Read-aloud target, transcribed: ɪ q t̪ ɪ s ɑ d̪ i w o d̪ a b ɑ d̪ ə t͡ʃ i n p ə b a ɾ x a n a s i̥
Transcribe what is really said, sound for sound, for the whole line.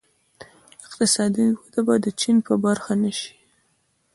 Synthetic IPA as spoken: ɪ q t̪ ɪ s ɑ d̪ i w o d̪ a b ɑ d̪ ə t͡ʃ i n p ə b a ɾ x a n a ʃ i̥